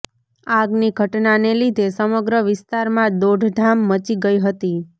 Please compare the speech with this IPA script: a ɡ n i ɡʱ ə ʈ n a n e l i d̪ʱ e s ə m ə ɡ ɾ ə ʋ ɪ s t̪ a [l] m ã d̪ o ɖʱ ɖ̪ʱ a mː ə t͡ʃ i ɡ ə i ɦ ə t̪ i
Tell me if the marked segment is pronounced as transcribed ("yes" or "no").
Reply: no